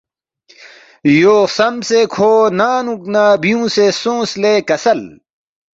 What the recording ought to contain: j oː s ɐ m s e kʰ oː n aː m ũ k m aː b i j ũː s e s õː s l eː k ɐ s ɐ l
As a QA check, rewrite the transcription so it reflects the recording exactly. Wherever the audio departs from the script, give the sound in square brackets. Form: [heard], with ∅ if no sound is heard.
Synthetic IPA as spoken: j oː s ɐ m s e kʰ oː n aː [n] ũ k [n] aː b i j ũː s e s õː s l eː k ɐ s ɐ l